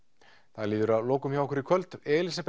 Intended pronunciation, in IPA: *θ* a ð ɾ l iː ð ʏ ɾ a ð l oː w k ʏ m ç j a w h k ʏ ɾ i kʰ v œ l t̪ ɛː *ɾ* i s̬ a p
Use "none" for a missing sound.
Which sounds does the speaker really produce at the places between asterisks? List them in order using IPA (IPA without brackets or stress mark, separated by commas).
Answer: θ, l